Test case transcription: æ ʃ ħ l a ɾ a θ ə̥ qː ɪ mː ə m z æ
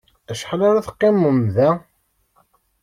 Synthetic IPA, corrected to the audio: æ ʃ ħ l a ɾ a θ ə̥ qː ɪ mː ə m ð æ